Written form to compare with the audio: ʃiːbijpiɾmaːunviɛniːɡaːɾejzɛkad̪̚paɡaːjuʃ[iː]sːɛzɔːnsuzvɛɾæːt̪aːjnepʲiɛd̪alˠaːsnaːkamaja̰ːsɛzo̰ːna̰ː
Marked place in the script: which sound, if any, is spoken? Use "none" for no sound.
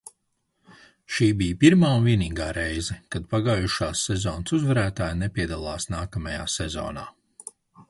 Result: aː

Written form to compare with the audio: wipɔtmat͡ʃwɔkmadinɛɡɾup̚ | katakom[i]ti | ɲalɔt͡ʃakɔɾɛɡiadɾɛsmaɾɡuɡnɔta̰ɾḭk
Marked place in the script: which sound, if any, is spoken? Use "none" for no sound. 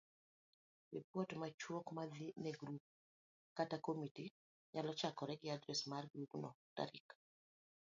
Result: i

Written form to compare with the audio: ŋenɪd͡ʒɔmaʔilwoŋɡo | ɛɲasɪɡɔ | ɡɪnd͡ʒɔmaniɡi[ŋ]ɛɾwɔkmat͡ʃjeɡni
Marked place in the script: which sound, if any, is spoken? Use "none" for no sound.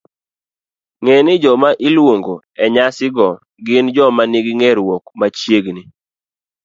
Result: ŋ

